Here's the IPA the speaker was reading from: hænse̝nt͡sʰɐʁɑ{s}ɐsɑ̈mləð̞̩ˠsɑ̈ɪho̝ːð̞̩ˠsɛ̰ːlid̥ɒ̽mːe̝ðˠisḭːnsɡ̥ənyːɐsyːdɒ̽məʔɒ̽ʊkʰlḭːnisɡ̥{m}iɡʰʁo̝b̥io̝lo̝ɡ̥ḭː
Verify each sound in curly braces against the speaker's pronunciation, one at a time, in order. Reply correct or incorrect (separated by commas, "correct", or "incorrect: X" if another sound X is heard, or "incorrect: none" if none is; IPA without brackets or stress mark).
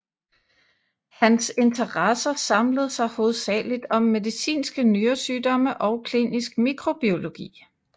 correct, correct